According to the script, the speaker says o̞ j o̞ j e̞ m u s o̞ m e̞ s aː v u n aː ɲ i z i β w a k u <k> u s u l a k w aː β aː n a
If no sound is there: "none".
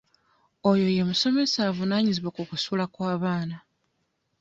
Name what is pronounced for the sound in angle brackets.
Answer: k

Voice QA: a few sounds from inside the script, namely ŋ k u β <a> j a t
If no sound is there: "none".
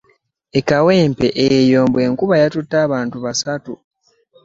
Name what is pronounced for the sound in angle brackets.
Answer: a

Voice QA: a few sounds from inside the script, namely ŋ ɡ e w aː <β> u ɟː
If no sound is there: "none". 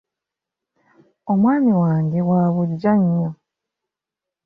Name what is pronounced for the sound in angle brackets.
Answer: β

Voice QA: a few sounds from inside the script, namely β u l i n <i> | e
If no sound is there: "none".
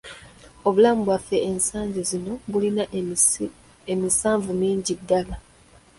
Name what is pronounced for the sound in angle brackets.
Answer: a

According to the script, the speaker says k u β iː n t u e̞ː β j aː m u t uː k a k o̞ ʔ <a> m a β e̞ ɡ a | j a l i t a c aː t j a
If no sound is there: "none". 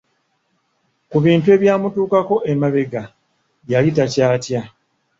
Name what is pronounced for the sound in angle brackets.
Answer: e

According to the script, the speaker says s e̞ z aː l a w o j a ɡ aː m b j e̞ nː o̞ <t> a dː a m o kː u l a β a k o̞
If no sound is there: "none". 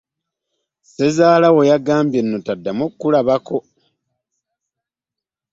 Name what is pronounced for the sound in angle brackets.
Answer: t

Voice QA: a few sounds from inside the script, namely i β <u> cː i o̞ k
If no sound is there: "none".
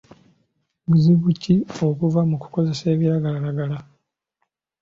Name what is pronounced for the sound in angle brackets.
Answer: u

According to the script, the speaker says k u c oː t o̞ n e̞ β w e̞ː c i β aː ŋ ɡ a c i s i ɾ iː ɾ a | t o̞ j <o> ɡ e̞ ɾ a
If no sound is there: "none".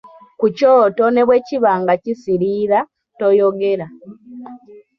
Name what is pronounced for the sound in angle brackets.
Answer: o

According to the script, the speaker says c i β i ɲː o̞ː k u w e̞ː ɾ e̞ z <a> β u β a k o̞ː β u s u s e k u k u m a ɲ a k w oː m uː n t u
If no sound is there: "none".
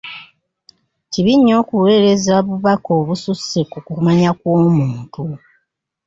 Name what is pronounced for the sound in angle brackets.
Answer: a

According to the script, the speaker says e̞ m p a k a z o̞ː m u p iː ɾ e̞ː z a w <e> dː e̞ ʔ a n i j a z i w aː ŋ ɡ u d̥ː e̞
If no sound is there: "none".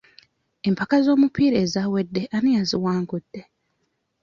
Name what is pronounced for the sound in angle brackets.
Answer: e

